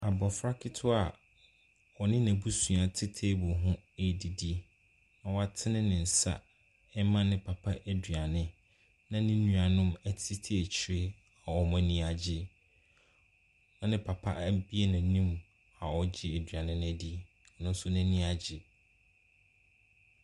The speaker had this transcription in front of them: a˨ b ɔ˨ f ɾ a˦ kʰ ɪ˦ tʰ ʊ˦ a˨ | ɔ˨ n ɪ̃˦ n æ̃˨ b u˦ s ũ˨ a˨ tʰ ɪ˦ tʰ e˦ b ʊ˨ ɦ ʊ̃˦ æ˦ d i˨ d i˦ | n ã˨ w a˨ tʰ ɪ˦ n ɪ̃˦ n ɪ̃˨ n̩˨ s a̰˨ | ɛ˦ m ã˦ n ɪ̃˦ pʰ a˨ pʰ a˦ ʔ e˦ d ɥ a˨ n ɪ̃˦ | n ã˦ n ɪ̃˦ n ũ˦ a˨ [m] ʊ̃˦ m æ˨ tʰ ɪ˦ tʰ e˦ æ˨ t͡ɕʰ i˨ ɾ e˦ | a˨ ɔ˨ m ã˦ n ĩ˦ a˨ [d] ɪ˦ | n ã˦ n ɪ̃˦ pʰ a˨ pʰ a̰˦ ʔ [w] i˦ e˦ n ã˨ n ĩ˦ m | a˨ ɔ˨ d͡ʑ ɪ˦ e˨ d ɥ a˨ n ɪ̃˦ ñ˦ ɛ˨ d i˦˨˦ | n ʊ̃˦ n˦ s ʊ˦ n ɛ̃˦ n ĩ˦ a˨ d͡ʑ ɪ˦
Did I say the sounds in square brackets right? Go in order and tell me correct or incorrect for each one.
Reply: incorrect: n, incorrect: d͡ʑ, incorrect: b

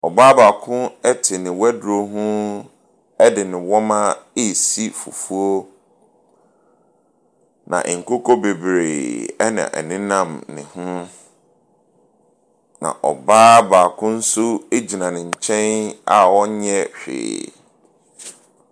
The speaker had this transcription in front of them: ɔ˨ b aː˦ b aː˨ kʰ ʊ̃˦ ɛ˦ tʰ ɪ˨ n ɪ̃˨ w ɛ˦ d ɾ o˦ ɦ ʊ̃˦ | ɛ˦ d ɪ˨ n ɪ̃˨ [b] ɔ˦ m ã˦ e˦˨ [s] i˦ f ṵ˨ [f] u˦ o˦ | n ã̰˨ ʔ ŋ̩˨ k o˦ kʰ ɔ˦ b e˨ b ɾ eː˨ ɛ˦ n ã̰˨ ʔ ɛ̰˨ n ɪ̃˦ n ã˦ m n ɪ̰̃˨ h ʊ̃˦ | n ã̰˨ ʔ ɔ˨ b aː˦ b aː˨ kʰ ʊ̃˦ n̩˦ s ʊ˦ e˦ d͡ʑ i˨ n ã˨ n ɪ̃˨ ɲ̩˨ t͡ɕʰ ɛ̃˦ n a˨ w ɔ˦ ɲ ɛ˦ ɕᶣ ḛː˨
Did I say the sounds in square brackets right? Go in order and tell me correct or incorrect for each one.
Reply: incorrect: w, correct, correct

